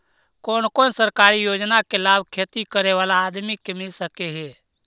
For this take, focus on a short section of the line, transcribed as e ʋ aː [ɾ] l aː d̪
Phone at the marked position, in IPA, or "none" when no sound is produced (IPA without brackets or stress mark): none